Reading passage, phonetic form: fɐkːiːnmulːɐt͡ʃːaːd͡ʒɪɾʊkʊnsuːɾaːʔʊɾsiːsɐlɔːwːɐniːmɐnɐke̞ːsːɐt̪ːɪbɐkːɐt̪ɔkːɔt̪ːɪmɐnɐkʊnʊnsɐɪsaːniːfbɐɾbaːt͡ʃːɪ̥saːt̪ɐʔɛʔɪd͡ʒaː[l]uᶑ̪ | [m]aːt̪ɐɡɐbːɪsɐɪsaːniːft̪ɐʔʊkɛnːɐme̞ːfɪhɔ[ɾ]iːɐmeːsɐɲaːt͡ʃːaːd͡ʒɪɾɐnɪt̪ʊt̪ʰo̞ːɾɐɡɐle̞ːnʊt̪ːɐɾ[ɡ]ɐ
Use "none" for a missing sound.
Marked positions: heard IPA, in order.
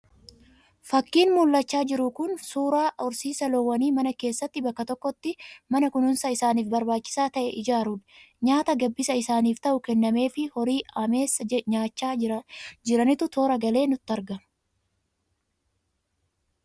ɾ, ɲ, ɾ, ɡ

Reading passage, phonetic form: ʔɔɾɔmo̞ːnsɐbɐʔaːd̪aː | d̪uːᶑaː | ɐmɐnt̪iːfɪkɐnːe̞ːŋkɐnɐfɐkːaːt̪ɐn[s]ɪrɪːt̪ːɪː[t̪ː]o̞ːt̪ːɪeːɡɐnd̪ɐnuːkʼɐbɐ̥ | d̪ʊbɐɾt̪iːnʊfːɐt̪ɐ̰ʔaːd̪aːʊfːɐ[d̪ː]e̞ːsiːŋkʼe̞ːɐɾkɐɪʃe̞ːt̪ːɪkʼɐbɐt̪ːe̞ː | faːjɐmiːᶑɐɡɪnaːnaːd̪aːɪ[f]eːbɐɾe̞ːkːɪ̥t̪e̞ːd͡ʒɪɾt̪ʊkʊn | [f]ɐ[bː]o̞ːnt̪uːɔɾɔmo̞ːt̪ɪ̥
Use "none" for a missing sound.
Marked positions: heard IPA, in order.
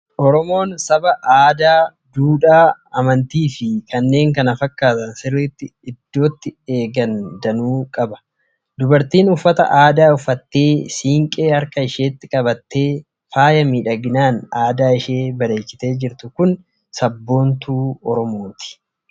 s, d̪ː, t̪ː, ʃ, s, bː

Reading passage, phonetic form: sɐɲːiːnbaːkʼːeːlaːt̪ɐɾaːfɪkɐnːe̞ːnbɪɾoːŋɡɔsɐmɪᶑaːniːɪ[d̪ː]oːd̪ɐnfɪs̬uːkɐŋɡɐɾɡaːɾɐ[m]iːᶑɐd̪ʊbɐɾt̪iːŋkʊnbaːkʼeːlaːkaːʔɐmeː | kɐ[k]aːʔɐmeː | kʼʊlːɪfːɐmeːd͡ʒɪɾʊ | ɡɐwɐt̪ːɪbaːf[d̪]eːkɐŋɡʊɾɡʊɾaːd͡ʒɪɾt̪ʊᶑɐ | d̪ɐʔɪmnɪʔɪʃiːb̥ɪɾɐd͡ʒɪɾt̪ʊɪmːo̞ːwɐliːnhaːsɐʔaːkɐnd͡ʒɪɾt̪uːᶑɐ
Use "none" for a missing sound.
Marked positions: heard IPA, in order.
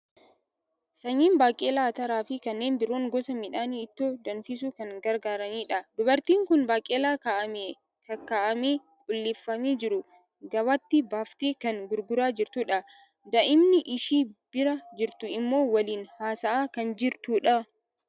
t̪ː, n, k, t̪

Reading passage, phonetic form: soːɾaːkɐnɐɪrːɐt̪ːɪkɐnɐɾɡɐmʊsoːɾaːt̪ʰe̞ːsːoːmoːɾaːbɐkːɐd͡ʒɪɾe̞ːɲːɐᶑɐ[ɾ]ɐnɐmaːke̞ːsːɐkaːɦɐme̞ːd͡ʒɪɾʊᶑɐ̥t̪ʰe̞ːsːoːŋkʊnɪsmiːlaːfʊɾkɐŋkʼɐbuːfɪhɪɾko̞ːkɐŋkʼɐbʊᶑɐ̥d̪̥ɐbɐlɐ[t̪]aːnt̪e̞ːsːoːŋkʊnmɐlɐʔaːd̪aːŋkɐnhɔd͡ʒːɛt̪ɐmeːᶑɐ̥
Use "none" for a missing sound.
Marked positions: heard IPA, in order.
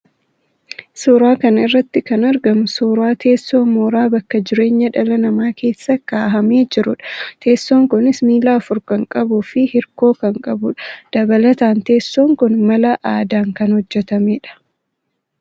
l, t̪

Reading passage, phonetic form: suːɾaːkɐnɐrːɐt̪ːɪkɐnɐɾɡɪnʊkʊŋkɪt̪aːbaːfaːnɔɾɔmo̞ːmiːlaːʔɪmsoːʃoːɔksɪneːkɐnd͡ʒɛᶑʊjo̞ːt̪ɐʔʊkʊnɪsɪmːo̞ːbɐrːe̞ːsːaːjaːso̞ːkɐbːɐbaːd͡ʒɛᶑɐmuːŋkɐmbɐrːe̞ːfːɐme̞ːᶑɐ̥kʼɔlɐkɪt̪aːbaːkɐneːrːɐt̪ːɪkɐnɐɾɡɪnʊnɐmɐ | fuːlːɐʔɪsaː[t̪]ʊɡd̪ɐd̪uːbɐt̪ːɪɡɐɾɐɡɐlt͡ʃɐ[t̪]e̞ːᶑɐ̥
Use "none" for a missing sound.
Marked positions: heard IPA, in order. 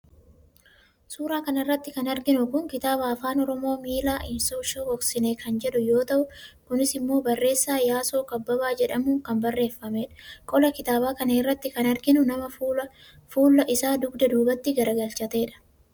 d̪, t̪

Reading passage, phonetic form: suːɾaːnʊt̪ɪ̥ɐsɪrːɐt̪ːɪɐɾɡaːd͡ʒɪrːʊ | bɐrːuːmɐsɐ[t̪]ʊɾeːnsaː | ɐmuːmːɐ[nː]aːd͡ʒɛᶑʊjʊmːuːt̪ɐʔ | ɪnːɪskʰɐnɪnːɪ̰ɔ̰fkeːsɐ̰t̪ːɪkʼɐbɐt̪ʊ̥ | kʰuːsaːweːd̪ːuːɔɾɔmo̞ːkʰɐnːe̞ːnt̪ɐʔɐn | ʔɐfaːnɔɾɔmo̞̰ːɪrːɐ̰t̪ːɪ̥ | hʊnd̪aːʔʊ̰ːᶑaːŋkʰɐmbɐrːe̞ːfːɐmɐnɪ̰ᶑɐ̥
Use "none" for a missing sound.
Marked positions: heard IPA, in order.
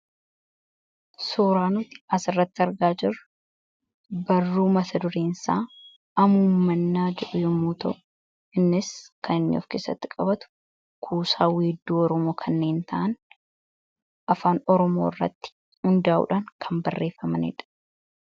d̪, nː

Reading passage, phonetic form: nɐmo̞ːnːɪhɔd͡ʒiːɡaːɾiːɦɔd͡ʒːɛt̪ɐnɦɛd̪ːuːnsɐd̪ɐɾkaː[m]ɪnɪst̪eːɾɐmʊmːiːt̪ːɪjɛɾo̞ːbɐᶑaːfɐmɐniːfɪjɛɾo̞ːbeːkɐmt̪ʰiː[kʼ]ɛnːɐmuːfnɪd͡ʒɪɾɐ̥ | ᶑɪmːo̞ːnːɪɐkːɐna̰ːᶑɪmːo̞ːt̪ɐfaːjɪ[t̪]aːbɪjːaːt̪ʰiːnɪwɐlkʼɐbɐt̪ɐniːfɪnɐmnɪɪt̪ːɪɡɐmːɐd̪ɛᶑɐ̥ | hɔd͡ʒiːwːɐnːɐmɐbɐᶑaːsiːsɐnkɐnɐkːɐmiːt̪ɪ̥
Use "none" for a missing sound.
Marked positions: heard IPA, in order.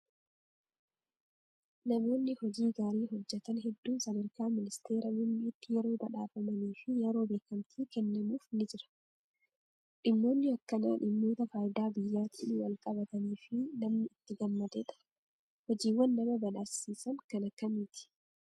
m, k, d̪

